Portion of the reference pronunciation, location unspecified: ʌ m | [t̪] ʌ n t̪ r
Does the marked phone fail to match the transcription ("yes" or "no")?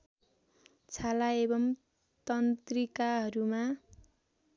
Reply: no